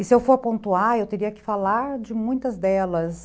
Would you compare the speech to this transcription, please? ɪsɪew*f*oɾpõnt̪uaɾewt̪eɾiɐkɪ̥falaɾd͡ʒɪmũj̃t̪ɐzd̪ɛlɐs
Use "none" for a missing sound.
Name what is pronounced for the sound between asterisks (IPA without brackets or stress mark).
f